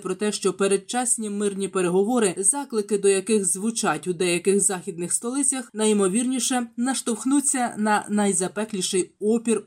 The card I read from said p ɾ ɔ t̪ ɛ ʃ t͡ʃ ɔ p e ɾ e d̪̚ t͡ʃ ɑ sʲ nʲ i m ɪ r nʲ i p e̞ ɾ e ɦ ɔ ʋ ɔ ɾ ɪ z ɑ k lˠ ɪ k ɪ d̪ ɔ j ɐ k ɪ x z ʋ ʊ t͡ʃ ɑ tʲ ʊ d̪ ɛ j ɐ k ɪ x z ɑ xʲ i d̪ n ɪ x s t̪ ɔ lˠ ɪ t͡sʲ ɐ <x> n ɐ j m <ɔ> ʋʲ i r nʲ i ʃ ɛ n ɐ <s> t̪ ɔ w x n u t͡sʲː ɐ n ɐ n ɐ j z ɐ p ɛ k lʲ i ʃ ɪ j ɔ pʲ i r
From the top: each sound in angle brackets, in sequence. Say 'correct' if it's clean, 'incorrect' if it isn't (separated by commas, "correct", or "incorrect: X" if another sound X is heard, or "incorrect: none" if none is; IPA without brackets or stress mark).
correct, correct, incorrect: ʃ